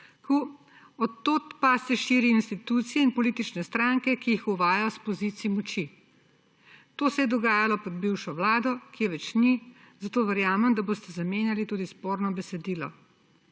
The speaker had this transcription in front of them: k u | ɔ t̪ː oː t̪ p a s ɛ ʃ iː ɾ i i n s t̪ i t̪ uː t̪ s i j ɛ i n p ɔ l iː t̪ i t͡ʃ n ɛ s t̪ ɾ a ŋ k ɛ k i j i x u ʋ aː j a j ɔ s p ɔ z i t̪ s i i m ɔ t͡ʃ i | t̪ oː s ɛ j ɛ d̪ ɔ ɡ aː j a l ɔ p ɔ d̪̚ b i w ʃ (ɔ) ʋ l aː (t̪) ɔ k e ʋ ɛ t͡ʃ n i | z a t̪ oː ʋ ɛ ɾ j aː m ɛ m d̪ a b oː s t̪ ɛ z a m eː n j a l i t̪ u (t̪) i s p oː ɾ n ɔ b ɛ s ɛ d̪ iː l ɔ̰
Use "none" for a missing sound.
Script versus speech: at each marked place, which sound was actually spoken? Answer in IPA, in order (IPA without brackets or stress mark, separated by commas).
ɔ, d̪, d̪